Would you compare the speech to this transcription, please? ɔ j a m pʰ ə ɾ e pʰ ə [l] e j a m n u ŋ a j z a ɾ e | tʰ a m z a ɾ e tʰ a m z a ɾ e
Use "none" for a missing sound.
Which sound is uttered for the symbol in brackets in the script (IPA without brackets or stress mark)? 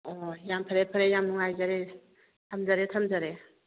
ɾ